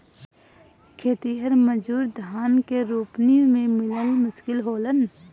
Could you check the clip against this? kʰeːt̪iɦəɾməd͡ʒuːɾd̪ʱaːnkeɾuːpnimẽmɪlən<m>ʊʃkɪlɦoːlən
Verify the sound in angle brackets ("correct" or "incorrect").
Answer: correct